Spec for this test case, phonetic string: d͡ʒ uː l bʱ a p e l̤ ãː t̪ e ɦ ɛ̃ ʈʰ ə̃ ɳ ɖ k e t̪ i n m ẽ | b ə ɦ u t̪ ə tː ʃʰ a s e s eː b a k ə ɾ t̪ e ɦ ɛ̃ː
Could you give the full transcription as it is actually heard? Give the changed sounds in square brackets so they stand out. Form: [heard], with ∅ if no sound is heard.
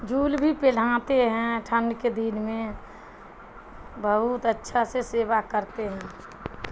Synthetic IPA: d͡ʒ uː l bʱ [i] p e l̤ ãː t̪ e ɦ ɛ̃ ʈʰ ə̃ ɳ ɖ k e [d̪] i n m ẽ | b ə ɦ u t̪ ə tː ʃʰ a s e s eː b a k ə ɾ t̪ e ɦ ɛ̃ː